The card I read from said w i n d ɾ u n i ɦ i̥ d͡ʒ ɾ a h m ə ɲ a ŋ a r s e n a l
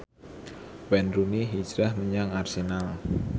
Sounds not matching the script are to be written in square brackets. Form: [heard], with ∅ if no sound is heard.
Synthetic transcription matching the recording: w [ɛ] n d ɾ u n i ɦ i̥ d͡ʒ ɾ a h m ə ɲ a ŋ a r s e n a l